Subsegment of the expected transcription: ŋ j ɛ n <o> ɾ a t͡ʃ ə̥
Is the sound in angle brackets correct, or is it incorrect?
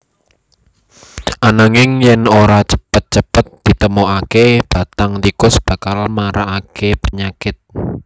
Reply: correct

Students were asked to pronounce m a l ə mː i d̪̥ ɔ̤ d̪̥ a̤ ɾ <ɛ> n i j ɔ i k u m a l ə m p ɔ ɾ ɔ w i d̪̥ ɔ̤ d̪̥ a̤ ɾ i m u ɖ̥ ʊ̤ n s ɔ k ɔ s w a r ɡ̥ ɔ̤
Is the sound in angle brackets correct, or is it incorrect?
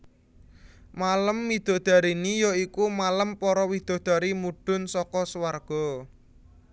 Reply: incorrect: i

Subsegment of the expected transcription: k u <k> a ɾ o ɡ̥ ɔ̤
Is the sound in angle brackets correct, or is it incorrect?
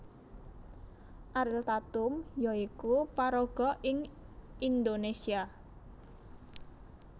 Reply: incorrect: p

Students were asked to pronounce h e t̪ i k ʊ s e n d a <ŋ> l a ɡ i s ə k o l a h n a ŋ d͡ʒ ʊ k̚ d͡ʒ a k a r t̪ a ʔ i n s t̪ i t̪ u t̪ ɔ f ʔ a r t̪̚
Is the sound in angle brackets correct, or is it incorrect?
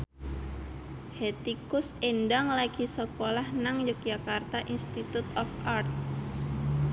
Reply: correct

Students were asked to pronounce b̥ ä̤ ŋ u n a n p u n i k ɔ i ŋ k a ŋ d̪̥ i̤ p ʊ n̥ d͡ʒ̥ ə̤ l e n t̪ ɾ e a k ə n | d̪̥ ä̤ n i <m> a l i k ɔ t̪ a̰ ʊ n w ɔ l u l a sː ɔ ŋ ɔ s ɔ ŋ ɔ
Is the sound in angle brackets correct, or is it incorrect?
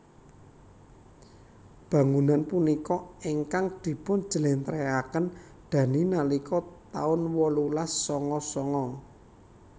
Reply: incorrect: n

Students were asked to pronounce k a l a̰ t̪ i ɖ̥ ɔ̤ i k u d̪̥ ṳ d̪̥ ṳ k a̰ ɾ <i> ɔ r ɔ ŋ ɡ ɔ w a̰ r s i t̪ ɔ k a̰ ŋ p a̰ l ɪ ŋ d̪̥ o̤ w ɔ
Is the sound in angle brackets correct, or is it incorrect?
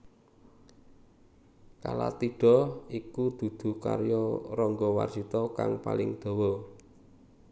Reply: incorrect: j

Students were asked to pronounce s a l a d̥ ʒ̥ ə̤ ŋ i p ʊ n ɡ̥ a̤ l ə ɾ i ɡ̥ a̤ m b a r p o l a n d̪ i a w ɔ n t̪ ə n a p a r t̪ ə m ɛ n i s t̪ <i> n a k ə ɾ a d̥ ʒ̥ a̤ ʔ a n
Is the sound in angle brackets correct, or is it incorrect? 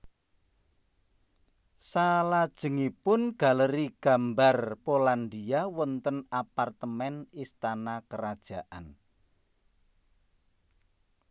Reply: incorrect: a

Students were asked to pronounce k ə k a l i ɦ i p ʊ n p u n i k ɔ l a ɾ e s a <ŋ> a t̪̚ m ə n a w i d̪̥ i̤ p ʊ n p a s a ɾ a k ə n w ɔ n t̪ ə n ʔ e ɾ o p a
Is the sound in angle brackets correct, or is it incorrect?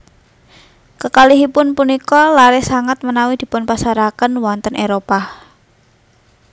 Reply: correct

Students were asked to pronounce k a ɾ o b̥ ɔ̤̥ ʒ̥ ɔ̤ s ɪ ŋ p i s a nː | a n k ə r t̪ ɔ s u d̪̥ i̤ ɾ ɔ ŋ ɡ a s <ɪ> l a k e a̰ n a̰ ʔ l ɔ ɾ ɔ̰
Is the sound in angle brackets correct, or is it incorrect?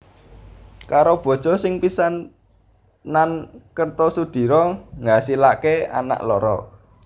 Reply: incorrect: i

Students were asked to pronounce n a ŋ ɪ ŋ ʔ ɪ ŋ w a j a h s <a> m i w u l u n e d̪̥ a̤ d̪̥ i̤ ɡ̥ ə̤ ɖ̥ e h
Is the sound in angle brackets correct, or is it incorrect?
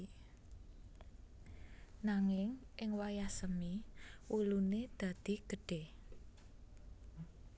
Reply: incorrect: ə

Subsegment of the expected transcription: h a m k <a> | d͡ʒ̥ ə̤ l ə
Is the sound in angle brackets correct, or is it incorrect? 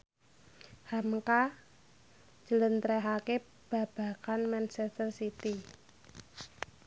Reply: correct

